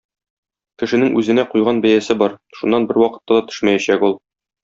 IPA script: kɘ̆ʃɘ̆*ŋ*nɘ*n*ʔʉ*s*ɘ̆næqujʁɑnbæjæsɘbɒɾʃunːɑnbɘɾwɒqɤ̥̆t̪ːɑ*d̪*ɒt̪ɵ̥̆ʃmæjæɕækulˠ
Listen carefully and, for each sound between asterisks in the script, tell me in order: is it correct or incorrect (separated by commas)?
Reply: incorrect, incorrect, incorrect, correct